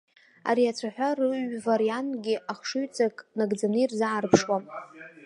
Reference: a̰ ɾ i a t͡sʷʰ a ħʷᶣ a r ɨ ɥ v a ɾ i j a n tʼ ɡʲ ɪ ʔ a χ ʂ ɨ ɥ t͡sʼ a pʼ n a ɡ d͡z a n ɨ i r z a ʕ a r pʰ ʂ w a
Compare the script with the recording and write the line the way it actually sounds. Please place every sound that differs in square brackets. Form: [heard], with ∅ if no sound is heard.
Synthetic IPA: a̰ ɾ i a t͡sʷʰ a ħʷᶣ a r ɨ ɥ v a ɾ i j a n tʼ ɡʲ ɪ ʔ a χ ʂ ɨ ɥ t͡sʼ a [kʼ] n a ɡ d͡z a n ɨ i r z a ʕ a r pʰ ʂ w a